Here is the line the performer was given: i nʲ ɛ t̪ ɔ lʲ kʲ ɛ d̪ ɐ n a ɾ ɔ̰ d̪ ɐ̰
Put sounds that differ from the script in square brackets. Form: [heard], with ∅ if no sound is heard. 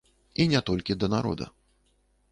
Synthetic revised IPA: i nʲ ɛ t̪ ɔ lʲ kʲ [i] d̪ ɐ n a ɾ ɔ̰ d̪ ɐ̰

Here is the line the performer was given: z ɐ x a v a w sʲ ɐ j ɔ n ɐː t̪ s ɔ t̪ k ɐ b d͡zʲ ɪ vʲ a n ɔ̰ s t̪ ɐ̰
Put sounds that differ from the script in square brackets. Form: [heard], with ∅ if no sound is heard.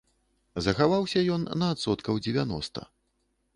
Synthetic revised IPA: z ɐ x a v a w sʲ ɐ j ɔ [nː] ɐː t̪ s ɔ t̪ k ɐ [w] d͡zʲ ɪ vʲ a n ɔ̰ s t̪ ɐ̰

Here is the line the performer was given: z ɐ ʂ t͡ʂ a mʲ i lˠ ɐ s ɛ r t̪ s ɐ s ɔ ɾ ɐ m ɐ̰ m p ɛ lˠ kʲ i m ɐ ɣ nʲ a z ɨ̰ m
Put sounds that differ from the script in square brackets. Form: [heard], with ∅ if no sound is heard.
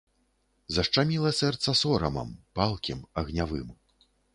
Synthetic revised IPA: z ɐ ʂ t͡ʂ a mʲ i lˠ ɐ s ɛ r t̪ s ɐ s ɔ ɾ ɐ m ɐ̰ m p [a] lˠ kʲ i m ɐ ɣ nʲ a [v] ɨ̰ m

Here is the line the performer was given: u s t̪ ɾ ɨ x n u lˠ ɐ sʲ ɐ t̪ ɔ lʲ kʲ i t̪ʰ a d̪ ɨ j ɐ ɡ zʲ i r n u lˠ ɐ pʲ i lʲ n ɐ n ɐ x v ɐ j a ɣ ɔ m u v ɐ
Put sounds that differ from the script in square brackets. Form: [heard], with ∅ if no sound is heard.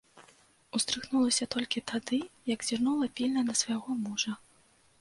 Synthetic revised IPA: u s t̪ ɾ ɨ x n u lˠ ɐ sʲ ɐ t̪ ɔ lʲ kʲ i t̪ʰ a d̪ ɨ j ɐ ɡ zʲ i r n u lˠ ɐ pʲ i lʲ n ɐ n ɐ [s] v ɐ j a ɣ ɔ m u [ʐ] ɐ

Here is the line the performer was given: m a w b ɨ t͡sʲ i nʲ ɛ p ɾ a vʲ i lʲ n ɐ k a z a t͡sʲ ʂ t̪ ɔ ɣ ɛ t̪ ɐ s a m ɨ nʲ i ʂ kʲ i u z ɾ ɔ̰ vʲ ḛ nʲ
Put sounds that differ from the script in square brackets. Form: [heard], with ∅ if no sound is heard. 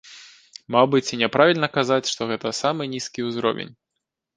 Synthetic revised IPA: m a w b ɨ t͡sʲ i nʲ ɛ p ɾ a vʲ i lʲ n ɐ k a z a t͡sʲ ʂ t̪ ɔ ɣ ɛ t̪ ɐ s a m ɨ nʲ i [s] kʲ i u z ɾ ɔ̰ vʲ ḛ nʲ

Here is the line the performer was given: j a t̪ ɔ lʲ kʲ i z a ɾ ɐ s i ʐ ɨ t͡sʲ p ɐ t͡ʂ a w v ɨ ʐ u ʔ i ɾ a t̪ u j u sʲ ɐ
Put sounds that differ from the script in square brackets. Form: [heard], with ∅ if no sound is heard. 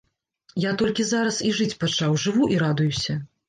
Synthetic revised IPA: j a t̪ ɔ lʲ kʲ i z a ɾ ɐ s i ʐ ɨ t͡sʲ p [a] t͡ʂ a w [ʐ] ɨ [v] u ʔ i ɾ a [d̪] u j u sʲ ɐ

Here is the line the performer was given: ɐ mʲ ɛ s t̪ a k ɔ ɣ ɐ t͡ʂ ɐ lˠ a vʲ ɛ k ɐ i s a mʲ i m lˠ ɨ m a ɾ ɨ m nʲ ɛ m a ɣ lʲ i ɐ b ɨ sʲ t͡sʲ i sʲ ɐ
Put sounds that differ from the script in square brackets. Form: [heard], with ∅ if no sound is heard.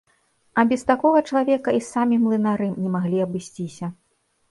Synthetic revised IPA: ɐ [bʲ] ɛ s t̪ a k ɔ ɣ ɐ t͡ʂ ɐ lˠ a vʲ ɛ k ɐ i s a mʲ i m lˠ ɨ [n] a ɾ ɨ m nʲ ɛ m a ɣ lʲ i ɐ b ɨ sʲ t͡sʲ i sʲ ɐ

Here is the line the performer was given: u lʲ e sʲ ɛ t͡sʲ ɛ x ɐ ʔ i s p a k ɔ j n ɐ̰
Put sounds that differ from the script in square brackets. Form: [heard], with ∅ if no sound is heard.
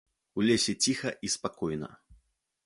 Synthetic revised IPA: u lʲ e sʲ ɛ t͡sʲ [i] x ɐ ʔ i s p a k ɔ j n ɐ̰

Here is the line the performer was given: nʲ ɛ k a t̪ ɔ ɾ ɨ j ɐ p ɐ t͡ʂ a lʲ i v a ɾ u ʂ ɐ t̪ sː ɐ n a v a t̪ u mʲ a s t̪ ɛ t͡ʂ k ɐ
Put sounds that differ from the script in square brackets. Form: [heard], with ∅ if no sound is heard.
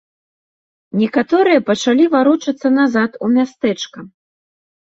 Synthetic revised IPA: nʲ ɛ k a t̪ ɔ ɾ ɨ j ɐ p ɐ t͡ʂ a lʲ i v a ɾ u [t͡ʂ] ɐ t̪ sː ɐ n a [z] a t̪ u mʲ a s t̪ ɛ t͡ʂ k ɐ

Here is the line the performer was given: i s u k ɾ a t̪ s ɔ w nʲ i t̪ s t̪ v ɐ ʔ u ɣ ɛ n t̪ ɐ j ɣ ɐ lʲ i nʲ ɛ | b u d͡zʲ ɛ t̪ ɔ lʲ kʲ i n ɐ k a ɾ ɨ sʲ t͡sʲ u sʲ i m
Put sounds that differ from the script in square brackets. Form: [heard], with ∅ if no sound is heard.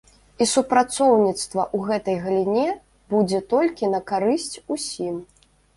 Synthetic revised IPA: i s u [p] ɾ a t̪ s ɔ w nʲ i t̪ s t̪ v ɐ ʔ u ɣ ɛ [∅] t̪ ɐ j ɣ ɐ lʲ i nʲ ɛ | b u d͡zʲ ɛ t̪ ɔ lʲ kʲ i n ɐ k a ɾ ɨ sʲ t͡sʲ u sʲ i m

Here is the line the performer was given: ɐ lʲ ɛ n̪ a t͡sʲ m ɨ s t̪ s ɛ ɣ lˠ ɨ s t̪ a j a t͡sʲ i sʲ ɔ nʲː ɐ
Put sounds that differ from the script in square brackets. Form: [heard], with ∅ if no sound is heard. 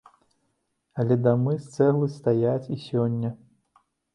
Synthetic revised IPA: ɐ lʲ ɛ [d̪] a [∅] m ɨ s t̪ s ɛ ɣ lˠ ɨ s t̪ a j a t͡sʲ i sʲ ɔ nʲː ɐ

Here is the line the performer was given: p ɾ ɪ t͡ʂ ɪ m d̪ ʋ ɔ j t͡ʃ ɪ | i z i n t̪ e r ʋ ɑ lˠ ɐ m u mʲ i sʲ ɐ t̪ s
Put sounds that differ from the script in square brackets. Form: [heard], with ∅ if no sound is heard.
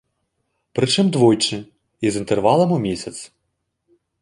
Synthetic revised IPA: p ɾ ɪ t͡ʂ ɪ m d̪ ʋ ɔ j t͡ʃ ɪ | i z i n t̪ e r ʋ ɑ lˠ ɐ m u mʲ i sʲ ɐ t̪ s

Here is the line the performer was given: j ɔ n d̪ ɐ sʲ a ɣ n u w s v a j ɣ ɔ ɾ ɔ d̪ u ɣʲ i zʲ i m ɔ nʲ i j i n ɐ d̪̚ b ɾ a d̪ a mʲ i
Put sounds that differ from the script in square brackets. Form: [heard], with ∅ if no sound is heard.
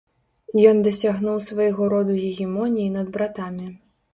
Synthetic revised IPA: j ɔ n d̪ ɐ sʲ a ɣ n u w s v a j ɣ ɔ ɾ ɔ d̪ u ɣʲ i [ɣʲ] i m ɔ nʲ i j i n ɐ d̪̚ b ɾ a [t̪] a mʲ i

